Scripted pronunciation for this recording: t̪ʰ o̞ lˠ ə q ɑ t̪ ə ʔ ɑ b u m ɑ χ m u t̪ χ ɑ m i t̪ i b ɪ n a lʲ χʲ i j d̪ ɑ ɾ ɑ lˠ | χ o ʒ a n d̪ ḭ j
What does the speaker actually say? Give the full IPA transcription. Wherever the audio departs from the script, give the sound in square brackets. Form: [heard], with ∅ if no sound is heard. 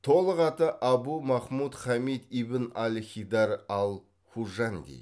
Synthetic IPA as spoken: t̪ʰ o̞ lˠ ə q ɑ t̪ ə ʔ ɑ b u m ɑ χ m u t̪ χ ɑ m i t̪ i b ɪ n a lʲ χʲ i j d̪ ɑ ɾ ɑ lˠ | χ [u] ʒ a n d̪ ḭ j

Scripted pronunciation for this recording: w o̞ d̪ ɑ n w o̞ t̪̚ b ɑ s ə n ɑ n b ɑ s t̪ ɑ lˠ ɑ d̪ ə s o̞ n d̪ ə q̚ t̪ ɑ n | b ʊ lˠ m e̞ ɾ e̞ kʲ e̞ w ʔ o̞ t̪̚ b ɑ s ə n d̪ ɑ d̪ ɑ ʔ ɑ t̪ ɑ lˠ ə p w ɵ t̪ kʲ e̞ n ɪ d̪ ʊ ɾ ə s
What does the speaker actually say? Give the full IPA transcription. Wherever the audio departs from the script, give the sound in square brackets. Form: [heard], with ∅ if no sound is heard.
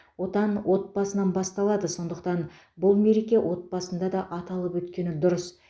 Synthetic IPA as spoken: w o̞ [t̪] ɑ n w o̞ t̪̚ b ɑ s ə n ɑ n b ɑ s t̪ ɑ lˠ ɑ d̪ ə s o̞ n d̪ ə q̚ t̪ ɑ n | b ʊ lˠ m e̞ ɾ e̞ kʲ e̞ w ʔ o̞ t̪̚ b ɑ s ə n d̪ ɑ d̪ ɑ ʔ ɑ t̪ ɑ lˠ ə p w ɵ t̪ kʲ e̞ n ɪ d̪ ʊ ɾ ə s

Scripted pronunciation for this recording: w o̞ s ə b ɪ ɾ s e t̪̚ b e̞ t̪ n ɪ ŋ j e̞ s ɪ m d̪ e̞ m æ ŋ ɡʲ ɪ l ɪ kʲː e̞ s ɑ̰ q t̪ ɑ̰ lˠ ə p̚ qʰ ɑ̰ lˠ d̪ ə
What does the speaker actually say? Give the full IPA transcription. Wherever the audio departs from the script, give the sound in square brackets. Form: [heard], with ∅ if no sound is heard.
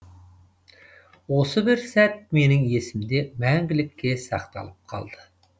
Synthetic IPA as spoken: w o̞ s ə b ɪ ɾ s [æ] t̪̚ [m] e̞ [∅] n ɪ ŋ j e̞ s ɪ m d̪ e̞ m æ ŋ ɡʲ ɪ l ɪ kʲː e̞ s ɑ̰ q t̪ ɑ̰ lˠ ə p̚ qʰ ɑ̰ lˠ d̪ ə

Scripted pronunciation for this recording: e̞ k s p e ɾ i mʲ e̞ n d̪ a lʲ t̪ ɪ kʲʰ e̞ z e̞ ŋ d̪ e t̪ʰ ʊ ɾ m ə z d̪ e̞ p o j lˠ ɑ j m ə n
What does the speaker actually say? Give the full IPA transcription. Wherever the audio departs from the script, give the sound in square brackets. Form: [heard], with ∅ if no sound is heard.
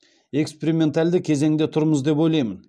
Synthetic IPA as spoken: e̞ k s p e ɾ i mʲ e̞ n [t̪] a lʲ [d̪] ɪ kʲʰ e̞ z e̞ ŋ d̪ e t̪ʰ ʊ ɾ m ə z d̪ e̞ p o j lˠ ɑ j m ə n

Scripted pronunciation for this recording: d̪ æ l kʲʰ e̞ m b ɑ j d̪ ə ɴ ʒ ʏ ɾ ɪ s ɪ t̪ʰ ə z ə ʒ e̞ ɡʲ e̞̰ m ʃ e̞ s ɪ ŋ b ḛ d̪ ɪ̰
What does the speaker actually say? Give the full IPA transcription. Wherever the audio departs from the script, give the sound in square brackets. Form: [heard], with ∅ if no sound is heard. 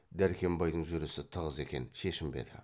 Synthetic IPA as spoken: d̪ æ [ɾ] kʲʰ e̞ m b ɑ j d̪ ə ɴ ʒ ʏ ɾ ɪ s ɪ t̪ʰ ə [ʁ] ə [z] e̞ [kʲ] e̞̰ [n] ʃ e̞ [ʃ] ɪ [m] b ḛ d̪ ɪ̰

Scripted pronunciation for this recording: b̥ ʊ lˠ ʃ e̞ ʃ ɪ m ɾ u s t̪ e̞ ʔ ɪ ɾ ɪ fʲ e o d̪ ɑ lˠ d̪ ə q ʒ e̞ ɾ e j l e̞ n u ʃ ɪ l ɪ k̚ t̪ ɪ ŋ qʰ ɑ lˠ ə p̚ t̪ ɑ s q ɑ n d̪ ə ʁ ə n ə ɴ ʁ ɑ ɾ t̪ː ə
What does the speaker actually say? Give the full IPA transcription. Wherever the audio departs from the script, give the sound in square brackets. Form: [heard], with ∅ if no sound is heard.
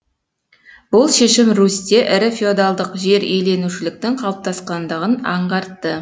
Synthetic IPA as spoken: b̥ ʊ lˠ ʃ e̞ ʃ ɪ m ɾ u s t̪ e̞ ʔ ɪ ɾ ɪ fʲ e o d̪ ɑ lˠ d̪ ə q ʒ e̞ ɾ e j l e̞ n u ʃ ɪ l ɪ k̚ t̪ ɪ ŋ qʰ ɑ lˠ ə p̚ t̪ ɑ s q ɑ n d̪ ə ʁ ə n [ɑ] ɴ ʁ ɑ ɾ t̪ː ə

